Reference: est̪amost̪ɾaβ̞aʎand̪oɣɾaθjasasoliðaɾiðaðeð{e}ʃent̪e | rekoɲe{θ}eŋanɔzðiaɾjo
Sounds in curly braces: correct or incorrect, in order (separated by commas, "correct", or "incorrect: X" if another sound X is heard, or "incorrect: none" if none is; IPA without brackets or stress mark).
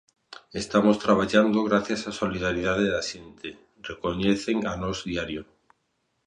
incorrect: a, correct